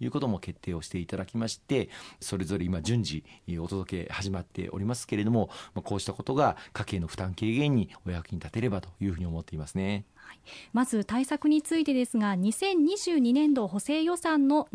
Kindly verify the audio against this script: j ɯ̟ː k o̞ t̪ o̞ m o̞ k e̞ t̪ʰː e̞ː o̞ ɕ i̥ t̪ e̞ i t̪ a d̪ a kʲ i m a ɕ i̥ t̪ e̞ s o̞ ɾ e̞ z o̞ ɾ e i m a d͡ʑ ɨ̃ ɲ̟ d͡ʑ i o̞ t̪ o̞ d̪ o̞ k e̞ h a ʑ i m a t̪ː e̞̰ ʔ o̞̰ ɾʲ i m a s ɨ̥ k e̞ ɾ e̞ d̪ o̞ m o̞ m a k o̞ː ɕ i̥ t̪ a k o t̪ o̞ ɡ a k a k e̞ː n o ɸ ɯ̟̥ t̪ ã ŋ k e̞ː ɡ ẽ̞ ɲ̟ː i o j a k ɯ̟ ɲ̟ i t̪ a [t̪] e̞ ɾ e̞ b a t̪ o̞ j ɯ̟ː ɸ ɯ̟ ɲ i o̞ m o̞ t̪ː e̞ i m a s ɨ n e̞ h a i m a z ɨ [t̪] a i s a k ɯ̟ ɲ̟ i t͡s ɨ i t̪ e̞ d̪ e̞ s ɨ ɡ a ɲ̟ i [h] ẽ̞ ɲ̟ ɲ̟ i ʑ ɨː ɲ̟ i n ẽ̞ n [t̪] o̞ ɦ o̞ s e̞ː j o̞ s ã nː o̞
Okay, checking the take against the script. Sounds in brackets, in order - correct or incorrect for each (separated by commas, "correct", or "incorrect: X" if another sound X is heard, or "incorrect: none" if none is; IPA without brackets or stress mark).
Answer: correct, correct, incorrect: s, incorrect: d̪